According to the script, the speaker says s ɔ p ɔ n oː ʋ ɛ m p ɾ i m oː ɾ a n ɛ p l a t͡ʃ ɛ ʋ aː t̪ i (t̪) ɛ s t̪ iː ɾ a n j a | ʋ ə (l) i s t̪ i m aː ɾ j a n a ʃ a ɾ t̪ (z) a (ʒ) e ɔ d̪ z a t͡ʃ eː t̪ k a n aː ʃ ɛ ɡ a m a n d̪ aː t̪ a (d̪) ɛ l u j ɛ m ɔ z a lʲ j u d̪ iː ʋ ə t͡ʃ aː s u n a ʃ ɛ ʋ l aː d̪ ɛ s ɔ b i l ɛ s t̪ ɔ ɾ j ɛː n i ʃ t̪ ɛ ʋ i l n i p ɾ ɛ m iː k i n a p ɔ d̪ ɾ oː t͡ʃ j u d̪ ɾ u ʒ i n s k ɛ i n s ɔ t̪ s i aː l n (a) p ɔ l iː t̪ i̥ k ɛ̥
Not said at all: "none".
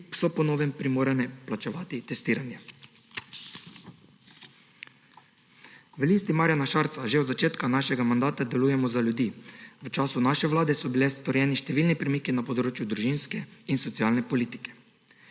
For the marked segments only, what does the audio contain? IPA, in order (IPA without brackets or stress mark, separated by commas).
t̪, l, s, ʒ, d̪, ɛ